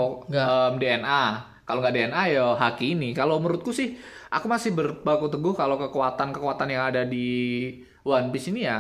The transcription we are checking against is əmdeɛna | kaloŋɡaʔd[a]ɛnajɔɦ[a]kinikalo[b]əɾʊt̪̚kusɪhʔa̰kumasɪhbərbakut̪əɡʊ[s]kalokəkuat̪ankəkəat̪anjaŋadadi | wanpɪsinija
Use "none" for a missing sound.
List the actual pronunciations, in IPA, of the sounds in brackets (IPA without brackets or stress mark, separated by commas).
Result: e, a, m, h